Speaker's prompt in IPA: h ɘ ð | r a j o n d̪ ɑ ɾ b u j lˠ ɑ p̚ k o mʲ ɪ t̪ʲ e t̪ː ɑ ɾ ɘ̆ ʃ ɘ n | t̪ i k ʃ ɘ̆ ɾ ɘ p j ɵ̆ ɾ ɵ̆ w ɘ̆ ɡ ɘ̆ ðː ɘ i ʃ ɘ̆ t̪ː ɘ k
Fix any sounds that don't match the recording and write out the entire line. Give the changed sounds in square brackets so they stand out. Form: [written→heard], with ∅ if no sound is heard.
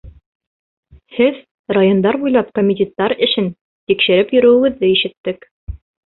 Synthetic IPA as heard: h ɘ ð | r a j o n d̪ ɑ ɾ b u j lˠ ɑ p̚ k o mʲ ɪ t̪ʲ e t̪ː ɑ ɾ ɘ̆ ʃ ɘ n | t̪ i k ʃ ɘ̆ ɾ ɘ p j ɵ̆ ɾ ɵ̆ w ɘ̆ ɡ ɘ̆ ðː ɘ i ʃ ɘ̆ t̪ː ɘ k